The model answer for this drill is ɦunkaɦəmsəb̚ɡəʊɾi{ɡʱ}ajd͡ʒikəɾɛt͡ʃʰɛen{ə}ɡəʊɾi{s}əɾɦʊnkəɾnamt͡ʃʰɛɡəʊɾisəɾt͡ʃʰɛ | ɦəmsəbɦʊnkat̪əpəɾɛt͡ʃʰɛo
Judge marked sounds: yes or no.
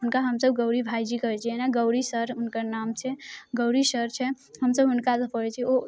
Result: no, no, yes

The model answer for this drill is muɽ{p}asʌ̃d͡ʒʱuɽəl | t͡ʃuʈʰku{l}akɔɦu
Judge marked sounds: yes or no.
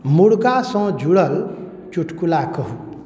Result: no, yes

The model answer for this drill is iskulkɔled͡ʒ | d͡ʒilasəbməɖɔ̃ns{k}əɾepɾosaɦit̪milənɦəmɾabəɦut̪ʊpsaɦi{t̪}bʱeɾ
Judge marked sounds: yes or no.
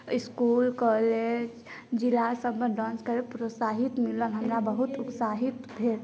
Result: yes, yes

